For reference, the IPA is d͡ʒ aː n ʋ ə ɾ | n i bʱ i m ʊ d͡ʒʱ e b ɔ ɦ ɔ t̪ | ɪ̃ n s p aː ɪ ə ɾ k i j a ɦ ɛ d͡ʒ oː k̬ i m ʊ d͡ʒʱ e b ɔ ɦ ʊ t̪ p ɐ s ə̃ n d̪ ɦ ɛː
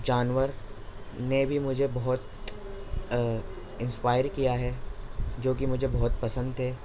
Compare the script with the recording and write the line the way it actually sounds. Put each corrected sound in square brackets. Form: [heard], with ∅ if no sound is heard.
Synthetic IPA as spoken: d͡ʒ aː n ʋ ə ɾ | n [e] bʱ i m ʊ d͡ʒʱ e b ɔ ɦ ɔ t̪ | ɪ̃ n s p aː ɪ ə ɾ k i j a ɦ ɛ d͡ʒ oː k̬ i m ʊ d͡ʒʱ e b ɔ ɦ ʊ t̪ p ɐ s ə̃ n d̪ ɦ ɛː